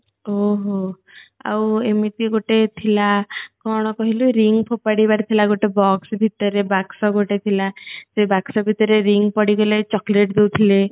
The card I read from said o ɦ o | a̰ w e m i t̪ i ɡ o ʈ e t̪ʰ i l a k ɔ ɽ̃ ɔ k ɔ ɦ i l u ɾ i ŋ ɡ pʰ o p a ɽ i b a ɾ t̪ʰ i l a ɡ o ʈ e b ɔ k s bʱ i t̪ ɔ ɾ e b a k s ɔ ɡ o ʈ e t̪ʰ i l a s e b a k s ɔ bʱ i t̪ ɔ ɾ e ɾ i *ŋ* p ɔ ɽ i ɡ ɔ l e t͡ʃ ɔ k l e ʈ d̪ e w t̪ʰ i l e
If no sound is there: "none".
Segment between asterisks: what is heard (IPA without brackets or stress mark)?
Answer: ŋ